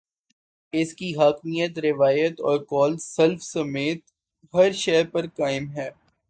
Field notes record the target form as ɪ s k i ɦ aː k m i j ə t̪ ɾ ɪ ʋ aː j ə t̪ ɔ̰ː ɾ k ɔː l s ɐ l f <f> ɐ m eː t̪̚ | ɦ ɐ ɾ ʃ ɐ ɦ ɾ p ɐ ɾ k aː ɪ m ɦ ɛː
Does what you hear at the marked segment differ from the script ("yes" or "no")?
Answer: yes